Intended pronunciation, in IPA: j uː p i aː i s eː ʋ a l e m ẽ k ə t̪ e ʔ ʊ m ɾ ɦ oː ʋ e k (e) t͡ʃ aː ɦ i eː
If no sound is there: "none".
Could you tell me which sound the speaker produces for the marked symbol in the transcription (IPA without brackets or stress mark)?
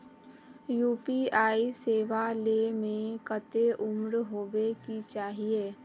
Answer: i